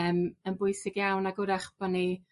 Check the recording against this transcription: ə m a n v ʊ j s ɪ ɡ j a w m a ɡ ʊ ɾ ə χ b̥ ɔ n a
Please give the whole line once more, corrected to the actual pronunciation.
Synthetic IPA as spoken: ə m ə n b ʊ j s ɪ ɡ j a w n a ɡ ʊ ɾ a χ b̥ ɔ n i

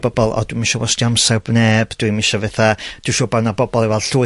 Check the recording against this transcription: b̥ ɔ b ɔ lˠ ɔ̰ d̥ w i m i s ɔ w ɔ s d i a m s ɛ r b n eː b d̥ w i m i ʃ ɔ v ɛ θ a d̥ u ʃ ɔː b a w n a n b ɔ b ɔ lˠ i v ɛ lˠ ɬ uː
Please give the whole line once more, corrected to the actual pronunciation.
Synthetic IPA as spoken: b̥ ɔ b ɔ lˠ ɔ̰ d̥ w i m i ʃ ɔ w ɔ s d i a m s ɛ r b n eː b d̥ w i m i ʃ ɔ v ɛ θ a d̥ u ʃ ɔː b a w n a b ɔ b ɔ lˠ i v ɛ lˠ ɬ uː

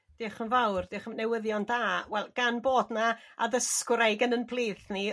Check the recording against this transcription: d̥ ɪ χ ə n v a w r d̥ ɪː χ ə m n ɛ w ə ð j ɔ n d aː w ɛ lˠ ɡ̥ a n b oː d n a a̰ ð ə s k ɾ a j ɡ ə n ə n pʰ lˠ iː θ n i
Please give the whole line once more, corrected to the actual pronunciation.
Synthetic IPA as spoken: d̥ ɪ χ ə n v a w r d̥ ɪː χ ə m n ɛ w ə ð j ɔ n d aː w ɛ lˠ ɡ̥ a n b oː d n a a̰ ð ə s k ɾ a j ɡ ə n ə n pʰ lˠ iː θ n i

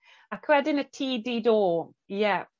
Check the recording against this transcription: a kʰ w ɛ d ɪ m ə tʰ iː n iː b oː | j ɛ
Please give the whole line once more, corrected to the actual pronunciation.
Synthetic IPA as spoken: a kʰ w ɛ d ɪ n ə tʰ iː d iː d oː | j ɛ

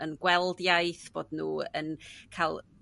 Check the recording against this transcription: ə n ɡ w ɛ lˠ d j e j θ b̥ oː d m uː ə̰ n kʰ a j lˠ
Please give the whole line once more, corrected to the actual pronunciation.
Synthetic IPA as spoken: ə n ɡ w ɛ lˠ d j a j θ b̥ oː d n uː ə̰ n kʰ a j lˠ

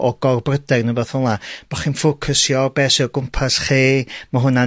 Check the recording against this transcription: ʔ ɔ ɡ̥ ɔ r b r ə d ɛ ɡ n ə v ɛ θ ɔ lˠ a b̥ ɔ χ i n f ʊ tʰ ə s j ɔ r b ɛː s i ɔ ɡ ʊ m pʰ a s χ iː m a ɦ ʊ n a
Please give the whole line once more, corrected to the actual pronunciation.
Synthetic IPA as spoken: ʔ ɔ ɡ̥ ɔ r b r ə d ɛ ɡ n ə b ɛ θ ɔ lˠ a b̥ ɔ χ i n f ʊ kʰ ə s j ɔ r b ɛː s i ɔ ɡ ʊ m pʰ a s χ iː m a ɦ ʊ n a

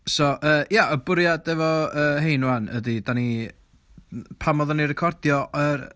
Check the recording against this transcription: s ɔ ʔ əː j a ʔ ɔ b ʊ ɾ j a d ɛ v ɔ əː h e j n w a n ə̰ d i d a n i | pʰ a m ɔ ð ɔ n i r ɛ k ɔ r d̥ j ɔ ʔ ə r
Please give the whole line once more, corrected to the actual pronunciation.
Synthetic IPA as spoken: s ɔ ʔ əː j a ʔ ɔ b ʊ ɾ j a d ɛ v ɔ əː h e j n w a n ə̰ d i d a n i | pʰ a m ɔ ð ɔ n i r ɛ kʰ ɔ r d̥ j ɔ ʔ ə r

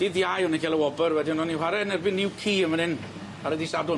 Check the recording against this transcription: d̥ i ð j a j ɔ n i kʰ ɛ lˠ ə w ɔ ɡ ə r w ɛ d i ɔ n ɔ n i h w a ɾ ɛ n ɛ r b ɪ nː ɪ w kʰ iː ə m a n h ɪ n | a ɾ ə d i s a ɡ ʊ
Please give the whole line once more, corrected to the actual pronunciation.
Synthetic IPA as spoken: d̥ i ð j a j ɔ n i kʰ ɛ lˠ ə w ɔ b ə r w ɛ d i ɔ n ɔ n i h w a ɾ ɛ n ɛ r b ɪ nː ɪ w kʰ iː ə m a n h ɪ n | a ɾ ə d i s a d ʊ

